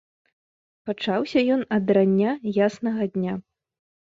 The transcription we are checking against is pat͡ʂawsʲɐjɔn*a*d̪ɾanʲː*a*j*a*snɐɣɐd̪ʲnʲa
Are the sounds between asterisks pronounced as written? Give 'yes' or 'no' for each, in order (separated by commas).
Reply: no, yes, yes